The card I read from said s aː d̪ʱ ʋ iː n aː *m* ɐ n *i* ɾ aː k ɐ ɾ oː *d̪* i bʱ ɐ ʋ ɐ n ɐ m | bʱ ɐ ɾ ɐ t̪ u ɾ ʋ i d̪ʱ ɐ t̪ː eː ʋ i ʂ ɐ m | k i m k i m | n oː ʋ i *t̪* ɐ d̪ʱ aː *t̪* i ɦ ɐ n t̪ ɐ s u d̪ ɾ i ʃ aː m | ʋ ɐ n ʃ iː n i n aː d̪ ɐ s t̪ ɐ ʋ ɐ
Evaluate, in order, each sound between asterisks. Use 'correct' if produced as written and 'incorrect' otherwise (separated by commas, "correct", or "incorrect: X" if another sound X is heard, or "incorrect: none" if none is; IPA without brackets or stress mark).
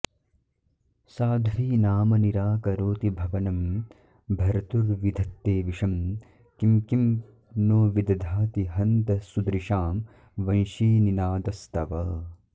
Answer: correct, correct, incorrect: t̪, incorrect: d̪, correct